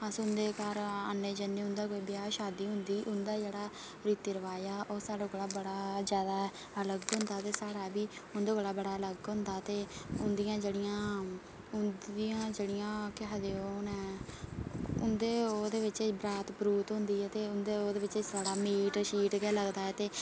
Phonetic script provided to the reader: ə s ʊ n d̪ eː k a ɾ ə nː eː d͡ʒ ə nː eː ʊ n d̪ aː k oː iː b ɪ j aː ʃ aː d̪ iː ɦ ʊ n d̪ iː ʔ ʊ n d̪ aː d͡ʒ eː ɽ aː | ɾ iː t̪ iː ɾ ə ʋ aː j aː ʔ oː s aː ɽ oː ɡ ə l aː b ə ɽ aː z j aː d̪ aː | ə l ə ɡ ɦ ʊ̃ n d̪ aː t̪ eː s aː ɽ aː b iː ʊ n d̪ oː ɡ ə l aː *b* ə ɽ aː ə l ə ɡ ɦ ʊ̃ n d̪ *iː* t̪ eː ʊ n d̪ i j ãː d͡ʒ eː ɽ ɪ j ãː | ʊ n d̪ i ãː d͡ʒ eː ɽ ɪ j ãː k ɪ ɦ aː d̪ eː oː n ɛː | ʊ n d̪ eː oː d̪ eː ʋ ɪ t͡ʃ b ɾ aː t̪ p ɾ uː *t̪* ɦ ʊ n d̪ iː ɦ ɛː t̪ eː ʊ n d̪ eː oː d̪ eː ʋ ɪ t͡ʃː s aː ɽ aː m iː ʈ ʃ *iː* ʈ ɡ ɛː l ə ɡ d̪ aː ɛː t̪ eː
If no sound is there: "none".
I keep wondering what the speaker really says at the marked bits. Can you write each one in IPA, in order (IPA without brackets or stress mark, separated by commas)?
b, aː, t̪, iː